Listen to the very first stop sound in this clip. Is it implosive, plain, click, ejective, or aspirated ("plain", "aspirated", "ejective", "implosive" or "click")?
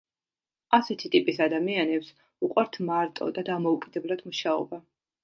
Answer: aspirated